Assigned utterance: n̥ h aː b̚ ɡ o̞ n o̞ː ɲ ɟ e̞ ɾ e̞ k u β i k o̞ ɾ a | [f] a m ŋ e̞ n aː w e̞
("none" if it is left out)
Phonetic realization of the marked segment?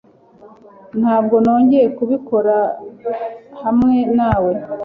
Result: h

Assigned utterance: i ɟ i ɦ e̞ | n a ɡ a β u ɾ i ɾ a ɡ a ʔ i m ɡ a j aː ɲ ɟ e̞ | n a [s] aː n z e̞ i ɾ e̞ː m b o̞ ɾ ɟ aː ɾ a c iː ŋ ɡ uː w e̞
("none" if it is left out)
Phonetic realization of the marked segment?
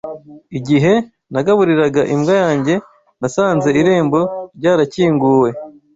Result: s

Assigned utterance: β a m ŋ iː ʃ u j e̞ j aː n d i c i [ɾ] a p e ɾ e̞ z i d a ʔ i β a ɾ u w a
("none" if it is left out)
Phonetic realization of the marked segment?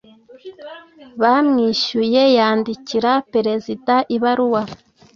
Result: ɾ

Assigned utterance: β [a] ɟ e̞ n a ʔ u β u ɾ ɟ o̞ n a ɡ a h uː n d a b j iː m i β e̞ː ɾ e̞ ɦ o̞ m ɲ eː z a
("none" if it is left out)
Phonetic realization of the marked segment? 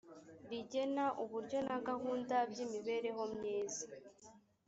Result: i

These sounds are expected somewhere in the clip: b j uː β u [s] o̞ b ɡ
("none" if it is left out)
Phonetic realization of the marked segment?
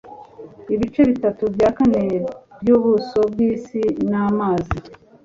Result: s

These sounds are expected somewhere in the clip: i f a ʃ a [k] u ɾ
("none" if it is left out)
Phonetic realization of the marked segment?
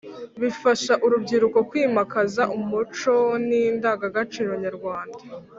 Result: ʔ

